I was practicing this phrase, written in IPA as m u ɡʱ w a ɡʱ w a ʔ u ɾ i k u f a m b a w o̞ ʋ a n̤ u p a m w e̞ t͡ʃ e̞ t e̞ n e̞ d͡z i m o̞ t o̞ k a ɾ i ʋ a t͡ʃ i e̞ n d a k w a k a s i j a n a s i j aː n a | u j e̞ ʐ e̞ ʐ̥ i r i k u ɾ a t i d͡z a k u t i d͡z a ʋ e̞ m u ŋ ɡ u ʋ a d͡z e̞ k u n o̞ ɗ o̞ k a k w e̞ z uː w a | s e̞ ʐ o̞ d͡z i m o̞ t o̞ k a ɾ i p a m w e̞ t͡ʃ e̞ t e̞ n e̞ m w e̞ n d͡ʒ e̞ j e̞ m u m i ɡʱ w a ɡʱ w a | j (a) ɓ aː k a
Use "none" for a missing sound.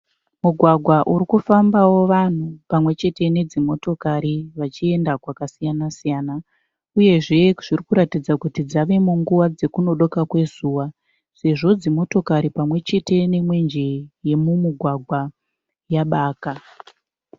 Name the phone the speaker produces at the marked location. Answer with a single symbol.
a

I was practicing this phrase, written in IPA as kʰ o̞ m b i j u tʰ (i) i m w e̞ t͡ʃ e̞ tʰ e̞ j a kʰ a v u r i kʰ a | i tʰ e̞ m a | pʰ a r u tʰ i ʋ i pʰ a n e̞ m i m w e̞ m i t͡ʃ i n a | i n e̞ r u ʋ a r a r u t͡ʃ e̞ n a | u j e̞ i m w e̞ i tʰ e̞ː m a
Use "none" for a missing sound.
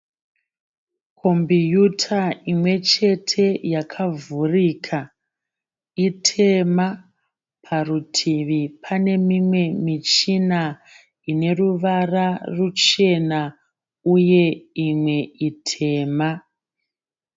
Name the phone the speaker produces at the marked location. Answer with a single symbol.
a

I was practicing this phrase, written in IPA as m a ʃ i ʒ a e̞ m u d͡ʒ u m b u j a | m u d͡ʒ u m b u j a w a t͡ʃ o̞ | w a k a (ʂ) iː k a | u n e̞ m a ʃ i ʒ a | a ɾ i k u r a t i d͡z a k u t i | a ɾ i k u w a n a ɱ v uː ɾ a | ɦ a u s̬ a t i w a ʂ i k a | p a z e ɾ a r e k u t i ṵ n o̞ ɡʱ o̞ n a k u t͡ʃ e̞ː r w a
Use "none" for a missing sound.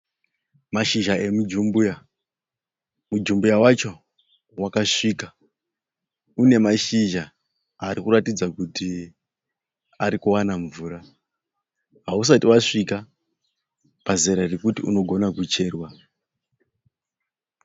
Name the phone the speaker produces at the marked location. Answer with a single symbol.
ʂ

